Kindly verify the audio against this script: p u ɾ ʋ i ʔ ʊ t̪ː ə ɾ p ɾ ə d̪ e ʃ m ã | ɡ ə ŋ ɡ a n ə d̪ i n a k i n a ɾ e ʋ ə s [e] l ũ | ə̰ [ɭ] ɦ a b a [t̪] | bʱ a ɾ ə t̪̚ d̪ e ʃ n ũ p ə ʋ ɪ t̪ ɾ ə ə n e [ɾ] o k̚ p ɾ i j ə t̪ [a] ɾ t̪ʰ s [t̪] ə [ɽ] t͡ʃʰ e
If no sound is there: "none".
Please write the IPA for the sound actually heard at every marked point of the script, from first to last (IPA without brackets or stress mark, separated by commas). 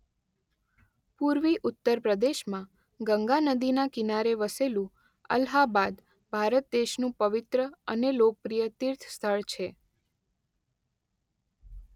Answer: e, l, d̪, l, i, t̪ʰ, ɭ